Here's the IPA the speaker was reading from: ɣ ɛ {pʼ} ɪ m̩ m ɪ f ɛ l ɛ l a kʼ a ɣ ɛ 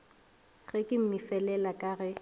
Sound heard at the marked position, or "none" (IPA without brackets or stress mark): kʼ